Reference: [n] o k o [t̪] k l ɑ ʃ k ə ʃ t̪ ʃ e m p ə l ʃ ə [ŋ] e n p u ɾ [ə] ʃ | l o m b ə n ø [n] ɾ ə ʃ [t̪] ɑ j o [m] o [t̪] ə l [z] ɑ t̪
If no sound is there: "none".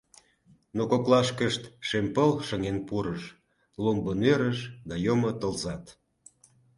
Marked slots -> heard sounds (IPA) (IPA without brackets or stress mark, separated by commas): n, none, ŋ, ə, none, d̪, m, t̪, z